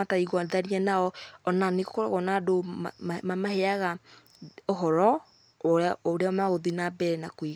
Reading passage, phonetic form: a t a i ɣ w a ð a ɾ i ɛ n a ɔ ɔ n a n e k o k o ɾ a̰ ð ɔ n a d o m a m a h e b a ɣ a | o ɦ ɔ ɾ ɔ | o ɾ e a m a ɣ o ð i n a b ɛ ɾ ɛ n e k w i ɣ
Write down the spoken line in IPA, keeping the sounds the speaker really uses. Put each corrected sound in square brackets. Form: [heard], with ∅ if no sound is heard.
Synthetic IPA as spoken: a t a i ɣ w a ð a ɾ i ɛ n a ɔ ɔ n a n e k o k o ɾ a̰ [ɣ] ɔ n a d o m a m a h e [∅] a ɣ a | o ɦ ɔ ɾ ɔ | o ɾ e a m a ɣ o ð i n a b ɛ ɾ ɛ n [a] k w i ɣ